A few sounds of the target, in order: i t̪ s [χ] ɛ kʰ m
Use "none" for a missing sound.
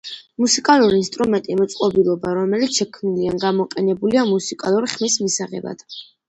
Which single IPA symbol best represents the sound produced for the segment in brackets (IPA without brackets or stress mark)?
ʃ